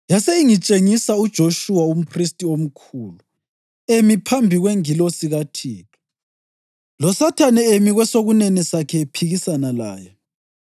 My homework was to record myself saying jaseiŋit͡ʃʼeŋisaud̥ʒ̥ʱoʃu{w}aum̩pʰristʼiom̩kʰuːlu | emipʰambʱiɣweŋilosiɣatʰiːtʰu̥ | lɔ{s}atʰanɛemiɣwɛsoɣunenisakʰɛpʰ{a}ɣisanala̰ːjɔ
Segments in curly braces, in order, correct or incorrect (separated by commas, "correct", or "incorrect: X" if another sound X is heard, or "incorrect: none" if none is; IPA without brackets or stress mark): correct, correct, incorrect: i